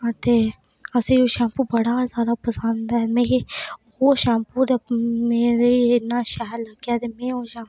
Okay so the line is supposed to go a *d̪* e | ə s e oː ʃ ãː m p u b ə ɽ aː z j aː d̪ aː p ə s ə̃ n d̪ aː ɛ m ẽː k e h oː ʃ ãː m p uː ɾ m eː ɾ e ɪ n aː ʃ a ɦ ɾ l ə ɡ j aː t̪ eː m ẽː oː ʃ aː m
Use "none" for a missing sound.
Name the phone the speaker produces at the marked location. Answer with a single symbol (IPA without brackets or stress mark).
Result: t̪